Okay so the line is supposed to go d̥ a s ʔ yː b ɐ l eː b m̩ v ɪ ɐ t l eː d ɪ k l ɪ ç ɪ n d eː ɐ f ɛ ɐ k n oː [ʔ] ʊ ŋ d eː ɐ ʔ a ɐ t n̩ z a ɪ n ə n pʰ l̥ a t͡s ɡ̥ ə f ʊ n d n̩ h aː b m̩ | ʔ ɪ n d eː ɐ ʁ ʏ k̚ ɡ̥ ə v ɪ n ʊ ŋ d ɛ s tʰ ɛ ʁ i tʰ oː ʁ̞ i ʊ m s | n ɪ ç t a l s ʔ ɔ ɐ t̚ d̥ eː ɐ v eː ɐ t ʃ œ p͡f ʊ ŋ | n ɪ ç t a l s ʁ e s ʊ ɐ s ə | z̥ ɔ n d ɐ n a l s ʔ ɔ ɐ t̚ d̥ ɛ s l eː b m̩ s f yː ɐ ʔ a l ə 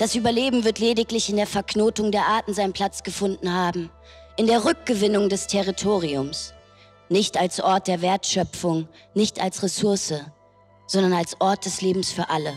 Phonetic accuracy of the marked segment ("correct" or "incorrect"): incorrect